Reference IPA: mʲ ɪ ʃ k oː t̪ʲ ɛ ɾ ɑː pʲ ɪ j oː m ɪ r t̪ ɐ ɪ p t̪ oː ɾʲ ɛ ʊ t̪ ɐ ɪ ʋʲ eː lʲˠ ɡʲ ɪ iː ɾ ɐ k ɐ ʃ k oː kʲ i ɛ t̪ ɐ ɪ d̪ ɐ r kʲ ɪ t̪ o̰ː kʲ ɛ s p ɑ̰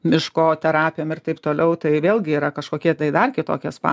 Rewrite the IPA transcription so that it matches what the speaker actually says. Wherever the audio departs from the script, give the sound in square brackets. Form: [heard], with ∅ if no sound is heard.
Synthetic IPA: mʲ ɪ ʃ k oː t̪ʲ ɛ ɾ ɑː pʲ ɪ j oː m ɪ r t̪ ɐ ɪ p t̪ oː [lʲ] ɛ ʊ t̪ ɐ ɪ ʋʲ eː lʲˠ ɡʲ ɪ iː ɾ ɐ k ɐ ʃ k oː kʲ i ɛ t̪ ɐ ɪ d̪ ɐ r kʲ ɪ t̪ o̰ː kʲ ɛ s p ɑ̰